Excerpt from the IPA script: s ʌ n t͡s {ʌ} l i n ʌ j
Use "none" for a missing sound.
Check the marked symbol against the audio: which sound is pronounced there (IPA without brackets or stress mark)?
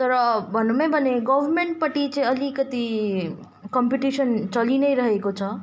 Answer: ʌ